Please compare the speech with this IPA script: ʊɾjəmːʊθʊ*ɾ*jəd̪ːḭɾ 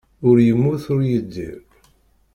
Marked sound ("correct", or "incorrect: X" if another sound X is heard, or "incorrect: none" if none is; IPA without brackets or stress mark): correct